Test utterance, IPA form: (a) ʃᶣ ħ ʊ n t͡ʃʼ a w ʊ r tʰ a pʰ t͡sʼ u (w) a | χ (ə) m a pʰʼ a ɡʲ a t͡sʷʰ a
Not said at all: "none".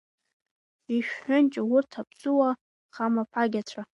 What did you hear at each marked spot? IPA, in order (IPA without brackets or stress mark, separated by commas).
i, w, a